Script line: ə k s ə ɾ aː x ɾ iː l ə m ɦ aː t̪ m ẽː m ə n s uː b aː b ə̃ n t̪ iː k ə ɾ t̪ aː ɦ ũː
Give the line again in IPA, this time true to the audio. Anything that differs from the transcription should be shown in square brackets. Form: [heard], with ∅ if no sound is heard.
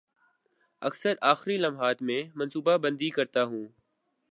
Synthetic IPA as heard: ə k s ə ɾ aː x ɾ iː l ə m ɦ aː t̪ m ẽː m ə n s uː b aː b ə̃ n [d̪] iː k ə ɾ t̪ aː ɦ ũː